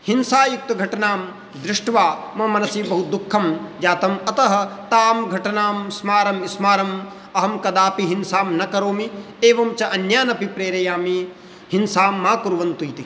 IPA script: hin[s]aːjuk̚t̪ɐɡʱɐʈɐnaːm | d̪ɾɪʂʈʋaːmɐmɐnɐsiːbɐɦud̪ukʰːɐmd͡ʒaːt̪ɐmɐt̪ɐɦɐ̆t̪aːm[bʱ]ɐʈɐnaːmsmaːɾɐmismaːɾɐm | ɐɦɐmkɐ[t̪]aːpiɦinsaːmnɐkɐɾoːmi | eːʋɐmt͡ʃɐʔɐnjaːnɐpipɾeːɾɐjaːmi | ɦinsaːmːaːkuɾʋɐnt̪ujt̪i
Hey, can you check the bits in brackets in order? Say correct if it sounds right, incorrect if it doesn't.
correct, incorrect, incorrect

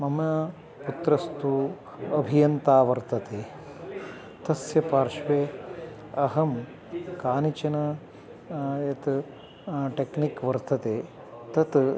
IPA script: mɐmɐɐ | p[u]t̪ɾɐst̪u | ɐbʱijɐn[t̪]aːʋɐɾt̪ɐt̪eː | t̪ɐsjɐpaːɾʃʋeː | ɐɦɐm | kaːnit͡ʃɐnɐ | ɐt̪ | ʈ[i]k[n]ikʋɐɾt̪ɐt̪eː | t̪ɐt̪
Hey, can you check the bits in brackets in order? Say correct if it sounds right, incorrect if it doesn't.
correct, correct, incorrect, correct

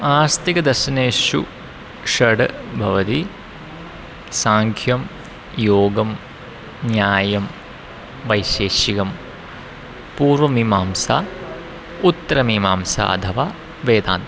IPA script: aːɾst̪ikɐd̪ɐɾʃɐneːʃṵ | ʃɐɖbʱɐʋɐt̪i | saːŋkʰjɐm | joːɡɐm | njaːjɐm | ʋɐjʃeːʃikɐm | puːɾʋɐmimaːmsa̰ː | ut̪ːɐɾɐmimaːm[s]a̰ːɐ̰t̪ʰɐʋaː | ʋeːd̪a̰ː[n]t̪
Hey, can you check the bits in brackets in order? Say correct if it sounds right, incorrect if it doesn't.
correct, correct

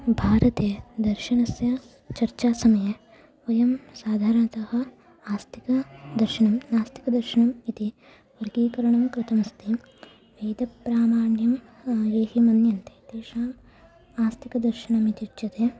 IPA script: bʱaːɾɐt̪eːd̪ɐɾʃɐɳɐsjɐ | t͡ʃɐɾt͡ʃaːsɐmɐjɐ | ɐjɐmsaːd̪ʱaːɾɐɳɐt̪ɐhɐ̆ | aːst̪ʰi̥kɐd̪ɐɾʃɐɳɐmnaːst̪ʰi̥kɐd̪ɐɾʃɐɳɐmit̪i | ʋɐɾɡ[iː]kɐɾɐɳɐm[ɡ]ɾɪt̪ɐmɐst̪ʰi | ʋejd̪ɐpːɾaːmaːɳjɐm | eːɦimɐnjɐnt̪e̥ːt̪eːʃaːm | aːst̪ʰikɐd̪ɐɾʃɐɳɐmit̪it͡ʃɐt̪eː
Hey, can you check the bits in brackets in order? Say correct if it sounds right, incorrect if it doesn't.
correct, incorrect

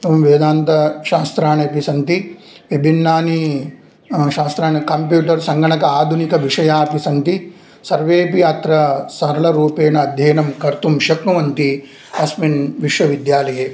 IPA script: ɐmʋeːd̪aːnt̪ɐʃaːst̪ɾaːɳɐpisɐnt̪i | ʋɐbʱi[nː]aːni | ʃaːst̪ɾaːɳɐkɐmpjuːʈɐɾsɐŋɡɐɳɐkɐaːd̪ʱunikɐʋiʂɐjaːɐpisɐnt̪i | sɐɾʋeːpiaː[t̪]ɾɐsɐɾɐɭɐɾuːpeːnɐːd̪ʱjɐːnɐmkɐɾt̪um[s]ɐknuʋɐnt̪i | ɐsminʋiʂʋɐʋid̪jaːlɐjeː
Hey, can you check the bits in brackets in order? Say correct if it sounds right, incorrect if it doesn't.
correct, correct, incorrect

